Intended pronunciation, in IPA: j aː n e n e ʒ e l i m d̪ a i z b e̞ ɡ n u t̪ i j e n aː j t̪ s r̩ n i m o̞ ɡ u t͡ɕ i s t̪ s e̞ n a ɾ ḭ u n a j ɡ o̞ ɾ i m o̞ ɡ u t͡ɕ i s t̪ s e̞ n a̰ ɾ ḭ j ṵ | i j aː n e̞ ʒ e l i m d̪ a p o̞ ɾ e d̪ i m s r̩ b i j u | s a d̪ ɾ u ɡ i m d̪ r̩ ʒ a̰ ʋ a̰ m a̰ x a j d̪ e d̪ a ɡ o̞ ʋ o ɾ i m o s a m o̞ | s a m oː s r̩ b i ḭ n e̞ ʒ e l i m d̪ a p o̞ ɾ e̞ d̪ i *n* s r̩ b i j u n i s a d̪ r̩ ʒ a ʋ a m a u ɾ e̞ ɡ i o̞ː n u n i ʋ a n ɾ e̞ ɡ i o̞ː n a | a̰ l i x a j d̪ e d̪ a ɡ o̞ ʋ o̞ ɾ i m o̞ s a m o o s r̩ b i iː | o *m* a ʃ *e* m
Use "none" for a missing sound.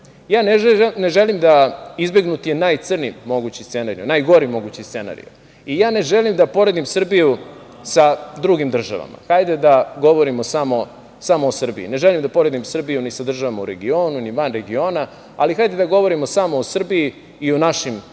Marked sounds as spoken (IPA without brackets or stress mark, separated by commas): m, n, i